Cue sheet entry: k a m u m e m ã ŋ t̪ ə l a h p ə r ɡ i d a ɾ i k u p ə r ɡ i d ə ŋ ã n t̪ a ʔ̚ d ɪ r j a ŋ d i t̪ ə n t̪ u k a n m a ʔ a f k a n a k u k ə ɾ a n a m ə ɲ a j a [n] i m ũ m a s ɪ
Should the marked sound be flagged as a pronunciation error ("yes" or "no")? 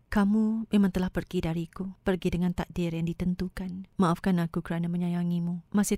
yes